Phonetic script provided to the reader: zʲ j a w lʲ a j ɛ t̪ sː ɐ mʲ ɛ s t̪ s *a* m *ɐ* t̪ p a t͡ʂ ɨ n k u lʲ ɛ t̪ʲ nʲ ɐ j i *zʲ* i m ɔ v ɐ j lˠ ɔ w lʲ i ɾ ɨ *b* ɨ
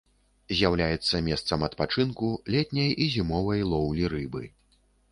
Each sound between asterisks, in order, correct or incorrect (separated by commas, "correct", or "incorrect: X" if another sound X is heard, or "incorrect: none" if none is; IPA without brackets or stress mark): incorrect: ɐ, correct, correct, correct